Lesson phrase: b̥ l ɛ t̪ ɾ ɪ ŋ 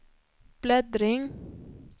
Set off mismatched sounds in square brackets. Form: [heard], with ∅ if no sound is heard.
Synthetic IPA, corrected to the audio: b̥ l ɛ [d̪] ɾ ɪ ŋ